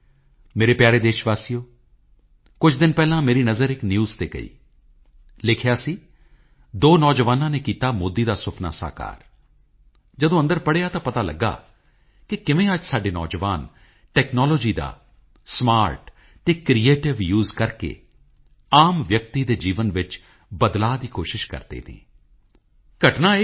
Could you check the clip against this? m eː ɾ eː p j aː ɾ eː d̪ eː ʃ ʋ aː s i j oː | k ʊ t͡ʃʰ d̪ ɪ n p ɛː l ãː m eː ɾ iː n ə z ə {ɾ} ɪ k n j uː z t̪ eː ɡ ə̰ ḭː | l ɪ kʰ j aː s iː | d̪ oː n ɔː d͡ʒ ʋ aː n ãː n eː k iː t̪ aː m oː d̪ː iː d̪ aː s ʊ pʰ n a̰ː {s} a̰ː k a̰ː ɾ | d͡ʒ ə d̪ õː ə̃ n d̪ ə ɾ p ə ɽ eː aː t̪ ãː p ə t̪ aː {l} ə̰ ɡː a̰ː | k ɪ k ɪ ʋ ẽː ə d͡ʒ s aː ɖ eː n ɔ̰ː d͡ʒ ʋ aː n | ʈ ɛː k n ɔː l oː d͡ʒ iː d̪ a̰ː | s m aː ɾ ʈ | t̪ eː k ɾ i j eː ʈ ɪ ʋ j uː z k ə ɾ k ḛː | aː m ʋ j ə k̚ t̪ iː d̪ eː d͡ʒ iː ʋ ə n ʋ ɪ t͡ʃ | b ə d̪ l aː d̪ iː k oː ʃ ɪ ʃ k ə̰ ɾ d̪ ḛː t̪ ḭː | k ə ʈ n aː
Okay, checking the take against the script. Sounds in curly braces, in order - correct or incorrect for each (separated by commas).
correct, correct, correct